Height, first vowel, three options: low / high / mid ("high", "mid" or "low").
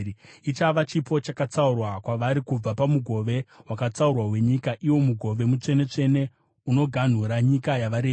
high